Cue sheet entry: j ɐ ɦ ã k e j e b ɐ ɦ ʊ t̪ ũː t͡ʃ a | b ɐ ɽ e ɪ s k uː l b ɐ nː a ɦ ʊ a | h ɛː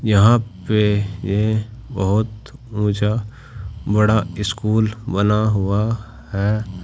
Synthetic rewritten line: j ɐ ɦ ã p e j e b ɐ ɦ ʊ t̪ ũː t͡ʃ a | b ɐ ɽ a ɪ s k uː l b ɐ n a ɦ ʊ a | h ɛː